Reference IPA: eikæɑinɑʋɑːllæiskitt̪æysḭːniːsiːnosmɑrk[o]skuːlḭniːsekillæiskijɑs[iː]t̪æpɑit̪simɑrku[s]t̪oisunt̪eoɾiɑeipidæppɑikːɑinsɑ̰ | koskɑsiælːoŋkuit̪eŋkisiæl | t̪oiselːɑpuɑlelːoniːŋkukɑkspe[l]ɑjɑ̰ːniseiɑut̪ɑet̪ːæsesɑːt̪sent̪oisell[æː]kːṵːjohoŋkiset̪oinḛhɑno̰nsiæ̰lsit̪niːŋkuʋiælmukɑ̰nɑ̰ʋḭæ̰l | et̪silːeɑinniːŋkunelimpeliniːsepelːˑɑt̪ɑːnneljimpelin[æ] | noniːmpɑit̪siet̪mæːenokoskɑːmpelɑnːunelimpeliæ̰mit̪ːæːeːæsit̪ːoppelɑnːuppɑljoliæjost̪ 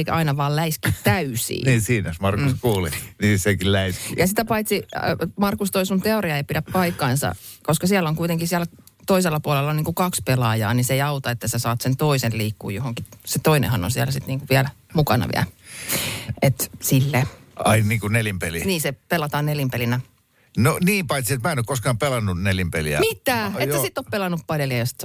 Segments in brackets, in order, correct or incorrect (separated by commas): incorrect, incorrect, correct, correct, incorrect, correct